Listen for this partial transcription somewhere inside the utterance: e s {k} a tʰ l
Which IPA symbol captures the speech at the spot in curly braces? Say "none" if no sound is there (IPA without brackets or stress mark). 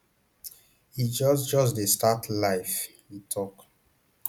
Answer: t